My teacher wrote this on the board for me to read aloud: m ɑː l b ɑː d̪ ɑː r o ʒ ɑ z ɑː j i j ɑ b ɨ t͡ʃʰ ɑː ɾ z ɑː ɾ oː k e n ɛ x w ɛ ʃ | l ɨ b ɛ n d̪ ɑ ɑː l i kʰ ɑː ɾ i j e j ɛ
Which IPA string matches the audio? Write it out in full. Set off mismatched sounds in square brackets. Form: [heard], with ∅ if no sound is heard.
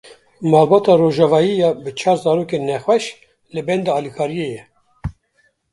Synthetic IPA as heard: m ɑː l b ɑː [t̪] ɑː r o ʒ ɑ [v] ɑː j i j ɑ b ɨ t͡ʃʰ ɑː ɾ z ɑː ɾ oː k e n ɛ x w ɛ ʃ | l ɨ b ɛ n d̪ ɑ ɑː l i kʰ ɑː ɾ i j e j ɛ